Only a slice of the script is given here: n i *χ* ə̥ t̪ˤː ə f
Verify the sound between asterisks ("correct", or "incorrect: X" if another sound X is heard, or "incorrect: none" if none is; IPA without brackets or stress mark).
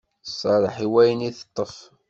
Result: incorrect: θ